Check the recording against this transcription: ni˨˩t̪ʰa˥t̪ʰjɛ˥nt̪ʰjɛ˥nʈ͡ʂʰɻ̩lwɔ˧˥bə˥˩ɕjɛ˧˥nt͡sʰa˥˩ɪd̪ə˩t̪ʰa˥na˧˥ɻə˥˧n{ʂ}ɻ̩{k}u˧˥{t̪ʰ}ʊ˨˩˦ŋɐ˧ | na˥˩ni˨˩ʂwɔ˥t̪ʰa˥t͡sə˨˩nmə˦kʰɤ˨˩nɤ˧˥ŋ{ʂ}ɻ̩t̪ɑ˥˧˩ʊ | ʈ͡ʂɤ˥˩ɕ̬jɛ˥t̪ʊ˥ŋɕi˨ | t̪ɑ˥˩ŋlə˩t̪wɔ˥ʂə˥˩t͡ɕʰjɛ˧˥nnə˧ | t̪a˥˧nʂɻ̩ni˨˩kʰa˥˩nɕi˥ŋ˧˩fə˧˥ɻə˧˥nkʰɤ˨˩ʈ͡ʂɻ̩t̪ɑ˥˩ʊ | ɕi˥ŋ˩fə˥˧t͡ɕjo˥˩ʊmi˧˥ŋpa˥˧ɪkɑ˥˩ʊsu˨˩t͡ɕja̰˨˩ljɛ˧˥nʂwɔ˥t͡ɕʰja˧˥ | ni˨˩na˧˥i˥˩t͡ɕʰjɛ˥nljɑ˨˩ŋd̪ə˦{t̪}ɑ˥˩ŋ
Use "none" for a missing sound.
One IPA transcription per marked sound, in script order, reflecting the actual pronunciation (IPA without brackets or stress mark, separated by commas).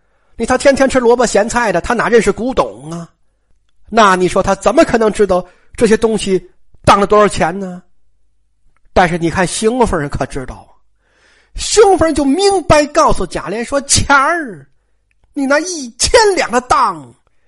ʂ, k, t̪, ʈ͡ʂ, t̪